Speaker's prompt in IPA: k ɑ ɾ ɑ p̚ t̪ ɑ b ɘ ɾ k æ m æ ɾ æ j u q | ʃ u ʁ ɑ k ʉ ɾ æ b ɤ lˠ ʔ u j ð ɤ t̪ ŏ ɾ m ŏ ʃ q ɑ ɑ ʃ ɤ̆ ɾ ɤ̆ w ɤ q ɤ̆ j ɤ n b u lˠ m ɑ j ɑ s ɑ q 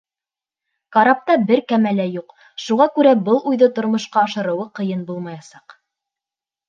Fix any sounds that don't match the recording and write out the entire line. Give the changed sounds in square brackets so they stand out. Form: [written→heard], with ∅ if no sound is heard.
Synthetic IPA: k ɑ ɾ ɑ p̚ t̪ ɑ b ɘ ɾ k æ m æ [ɾ→l] æ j u q | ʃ u ʁ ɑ k ʉ ɾ æ b ɤ lˠ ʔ u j ð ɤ t̪ ŏ ɾ m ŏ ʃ q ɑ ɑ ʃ ɤ̆ ɾ ɤ̆ w ɤ q ɤ̆ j ɤ n b u lˠ m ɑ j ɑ s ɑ q